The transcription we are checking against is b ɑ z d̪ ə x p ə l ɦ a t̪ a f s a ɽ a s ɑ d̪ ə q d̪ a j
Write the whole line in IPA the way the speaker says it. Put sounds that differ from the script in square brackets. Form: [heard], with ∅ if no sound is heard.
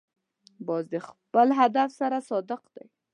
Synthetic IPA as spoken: b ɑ z d̪ ə x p ə l ɦ a [d̪] a f s a [ɾ] a s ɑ d̪ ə q d̪ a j